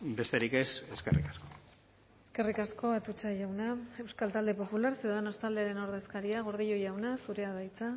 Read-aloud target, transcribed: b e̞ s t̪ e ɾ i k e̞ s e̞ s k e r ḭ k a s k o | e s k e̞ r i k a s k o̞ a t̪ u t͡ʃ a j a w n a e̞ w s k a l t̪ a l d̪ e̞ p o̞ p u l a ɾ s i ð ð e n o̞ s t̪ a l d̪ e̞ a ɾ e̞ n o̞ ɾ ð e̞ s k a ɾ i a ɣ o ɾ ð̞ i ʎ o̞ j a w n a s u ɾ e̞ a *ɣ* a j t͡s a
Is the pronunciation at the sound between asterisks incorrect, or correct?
incorrect